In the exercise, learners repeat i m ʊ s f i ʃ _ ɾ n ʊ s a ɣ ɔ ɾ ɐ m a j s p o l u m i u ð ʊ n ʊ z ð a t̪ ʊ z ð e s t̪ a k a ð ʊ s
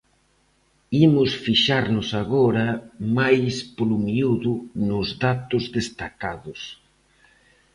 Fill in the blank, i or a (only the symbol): a